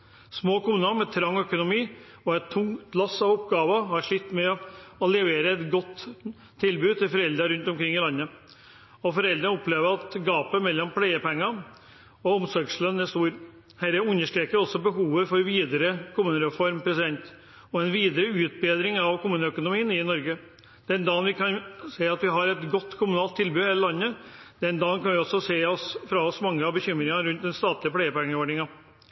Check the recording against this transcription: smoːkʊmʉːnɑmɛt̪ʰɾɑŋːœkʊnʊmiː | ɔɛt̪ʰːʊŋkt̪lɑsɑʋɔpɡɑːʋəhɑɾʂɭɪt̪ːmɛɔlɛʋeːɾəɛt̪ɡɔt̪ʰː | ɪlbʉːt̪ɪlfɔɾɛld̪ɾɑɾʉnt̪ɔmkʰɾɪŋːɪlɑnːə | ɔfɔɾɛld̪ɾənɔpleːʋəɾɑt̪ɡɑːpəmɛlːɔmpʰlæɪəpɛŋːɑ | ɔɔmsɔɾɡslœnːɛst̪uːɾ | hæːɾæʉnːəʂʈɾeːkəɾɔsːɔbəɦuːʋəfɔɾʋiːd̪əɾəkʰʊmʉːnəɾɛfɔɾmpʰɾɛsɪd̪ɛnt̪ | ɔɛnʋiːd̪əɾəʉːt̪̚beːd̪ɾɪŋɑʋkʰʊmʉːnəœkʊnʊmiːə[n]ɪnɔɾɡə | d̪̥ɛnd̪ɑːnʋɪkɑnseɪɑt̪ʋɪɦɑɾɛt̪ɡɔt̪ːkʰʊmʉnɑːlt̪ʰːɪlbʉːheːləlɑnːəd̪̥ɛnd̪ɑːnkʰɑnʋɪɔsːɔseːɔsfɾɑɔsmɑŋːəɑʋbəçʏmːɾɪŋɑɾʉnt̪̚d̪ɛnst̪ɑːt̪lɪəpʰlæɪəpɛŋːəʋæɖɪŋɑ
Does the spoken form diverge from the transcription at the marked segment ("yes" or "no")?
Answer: no